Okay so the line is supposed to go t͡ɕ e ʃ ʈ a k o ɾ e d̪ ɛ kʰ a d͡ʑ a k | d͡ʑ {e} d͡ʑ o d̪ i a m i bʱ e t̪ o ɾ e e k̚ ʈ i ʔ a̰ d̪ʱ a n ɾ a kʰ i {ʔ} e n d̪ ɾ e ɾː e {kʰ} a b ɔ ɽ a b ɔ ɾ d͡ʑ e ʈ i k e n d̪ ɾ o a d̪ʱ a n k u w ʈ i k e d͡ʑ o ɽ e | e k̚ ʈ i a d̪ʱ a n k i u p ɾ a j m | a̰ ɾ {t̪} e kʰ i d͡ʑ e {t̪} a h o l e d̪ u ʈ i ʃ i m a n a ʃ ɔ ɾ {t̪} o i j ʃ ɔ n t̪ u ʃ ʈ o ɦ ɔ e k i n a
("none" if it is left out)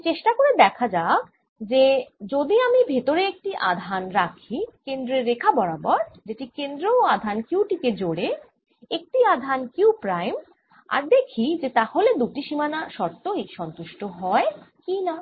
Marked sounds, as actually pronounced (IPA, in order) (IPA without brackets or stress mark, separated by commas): e, k, kʰ, d̪, t̪, t̪